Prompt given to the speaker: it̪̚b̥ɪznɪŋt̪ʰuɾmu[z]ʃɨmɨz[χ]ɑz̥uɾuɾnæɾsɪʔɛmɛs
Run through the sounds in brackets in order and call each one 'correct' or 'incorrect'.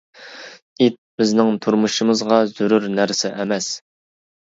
incorrect, incorrect

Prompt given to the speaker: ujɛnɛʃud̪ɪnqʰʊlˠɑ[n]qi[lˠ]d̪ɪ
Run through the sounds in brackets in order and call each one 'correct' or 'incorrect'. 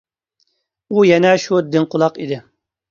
incorrect, incorrect

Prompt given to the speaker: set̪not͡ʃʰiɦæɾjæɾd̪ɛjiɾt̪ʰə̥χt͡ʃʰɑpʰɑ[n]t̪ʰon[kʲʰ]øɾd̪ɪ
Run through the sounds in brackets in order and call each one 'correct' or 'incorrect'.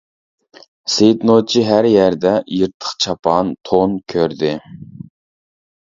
correct, correct

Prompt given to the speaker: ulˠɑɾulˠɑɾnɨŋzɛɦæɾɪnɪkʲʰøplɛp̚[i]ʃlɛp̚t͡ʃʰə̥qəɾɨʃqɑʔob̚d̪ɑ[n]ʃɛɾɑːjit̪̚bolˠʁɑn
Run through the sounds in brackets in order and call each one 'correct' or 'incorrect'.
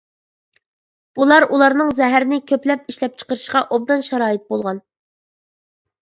correct, correct

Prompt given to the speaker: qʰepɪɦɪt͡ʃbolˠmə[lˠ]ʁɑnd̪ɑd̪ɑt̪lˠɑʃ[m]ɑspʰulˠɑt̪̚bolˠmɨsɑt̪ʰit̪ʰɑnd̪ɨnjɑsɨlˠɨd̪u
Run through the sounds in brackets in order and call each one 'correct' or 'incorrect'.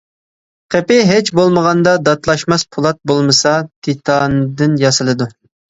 incorrect, correct

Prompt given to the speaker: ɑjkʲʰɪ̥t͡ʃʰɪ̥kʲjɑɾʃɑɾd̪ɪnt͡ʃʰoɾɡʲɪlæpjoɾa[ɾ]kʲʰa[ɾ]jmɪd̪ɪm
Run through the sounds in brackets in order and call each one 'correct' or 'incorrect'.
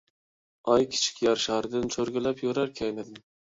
correct, incorrect

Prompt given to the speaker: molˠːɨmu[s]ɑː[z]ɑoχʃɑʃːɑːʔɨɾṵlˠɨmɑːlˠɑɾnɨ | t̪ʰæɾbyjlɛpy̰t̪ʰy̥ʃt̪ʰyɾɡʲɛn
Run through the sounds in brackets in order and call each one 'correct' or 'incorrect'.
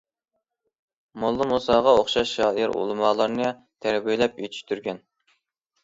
correct, incorrect

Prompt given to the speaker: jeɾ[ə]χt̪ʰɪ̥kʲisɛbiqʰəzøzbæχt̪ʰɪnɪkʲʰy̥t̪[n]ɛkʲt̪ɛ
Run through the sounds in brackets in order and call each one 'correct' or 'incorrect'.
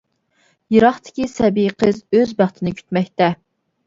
incorrect, incorrect

